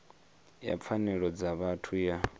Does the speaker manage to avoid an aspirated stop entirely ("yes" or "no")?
no